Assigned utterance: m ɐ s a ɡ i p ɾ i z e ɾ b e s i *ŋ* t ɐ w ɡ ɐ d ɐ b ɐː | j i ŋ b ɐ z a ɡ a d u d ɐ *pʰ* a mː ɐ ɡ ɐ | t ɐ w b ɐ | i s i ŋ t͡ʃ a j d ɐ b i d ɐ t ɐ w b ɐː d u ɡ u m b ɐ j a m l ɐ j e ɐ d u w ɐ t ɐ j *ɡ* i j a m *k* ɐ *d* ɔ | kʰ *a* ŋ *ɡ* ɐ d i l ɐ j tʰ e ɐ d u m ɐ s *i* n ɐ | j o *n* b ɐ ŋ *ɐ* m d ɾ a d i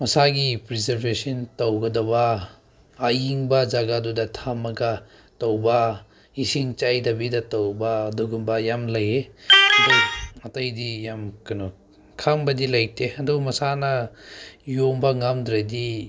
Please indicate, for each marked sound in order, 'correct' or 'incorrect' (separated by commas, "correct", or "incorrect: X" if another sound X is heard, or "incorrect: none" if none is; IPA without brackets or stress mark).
incorrect: n, incorrect: tʰ, incorrect: d, correct, incorrect: n, correct, incorrect: b, incorrect: a, incorrect: m, incorrect: a